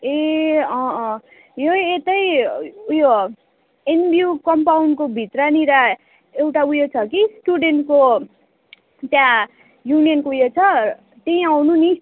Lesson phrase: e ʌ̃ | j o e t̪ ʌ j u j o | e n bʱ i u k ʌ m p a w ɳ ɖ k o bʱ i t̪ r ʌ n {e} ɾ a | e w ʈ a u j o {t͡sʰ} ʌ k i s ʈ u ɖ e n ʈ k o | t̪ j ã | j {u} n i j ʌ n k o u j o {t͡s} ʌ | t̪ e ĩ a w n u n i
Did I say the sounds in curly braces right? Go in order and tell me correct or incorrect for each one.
incorrect, correct, correct, incorrect

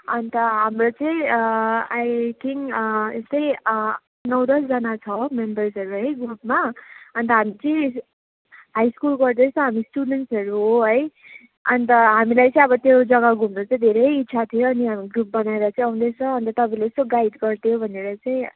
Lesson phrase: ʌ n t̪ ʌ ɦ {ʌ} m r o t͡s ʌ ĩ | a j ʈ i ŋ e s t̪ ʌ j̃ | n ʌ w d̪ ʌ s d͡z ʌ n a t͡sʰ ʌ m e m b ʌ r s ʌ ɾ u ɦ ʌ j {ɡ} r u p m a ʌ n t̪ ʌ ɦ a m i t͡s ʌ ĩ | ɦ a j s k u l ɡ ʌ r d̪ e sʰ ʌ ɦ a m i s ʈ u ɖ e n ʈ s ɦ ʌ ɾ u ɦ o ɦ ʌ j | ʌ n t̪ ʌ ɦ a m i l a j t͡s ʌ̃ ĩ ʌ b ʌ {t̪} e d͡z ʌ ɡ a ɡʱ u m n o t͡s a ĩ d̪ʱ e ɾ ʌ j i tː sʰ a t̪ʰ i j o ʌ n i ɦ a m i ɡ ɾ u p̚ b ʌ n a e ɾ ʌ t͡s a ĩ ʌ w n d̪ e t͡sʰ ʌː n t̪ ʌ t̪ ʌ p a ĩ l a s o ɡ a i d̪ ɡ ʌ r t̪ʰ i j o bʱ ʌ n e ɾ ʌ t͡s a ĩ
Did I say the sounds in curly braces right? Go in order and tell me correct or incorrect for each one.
incorrect, correct, correct

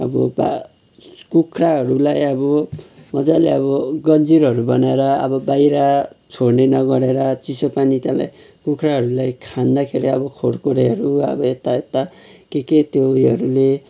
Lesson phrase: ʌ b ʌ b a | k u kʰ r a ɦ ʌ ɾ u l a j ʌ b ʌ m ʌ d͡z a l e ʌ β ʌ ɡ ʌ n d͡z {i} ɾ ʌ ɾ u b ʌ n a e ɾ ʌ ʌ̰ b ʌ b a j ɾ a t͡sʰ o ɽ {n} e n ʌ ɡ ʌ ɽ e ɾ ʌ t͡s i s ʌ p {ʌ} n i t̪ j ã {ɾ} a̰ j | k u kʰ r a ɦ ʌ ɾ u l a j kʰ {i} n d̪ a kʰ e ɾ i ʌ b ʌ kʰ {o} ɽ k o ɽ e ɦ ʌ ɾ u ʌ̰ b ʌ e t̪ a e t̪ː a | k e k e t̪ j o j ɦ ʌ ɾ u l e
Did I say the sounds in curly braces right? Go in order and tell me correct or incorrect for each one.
correct, correct, incorrect, incorrect, incorrect, correct

